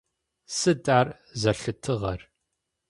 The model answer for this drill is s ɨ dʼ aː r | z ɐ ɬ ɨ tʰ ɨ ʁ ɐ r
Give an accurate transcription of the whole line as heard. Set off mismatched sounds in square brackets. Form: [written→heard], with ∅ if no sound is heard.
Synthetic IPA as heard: s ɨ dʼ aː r | z ɐ ɬ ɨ tʰ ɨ ʁ ɐ r